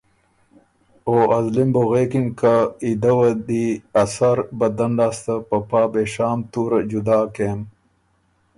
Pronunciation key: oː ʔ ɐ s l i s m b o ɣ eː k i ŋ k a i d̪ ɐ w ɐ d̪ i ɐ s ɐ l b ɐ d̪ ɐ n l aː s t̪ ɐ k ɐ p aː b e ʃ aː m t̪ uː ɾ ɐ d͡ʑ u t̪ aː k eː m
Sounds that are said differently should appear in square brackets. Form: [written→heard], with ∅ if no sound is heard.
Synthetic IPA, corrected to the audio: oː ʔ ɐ [s→z] l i [s→∅] m b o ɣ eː k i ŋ k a i d̪ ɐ w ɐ d̪ i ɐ s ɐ [l→ɾ] b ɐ d̪ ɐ n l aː s t̪ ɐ [k→p] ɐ p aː b e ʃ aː m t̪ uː ɾ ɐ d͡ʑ u [t̪→d̪] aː k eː m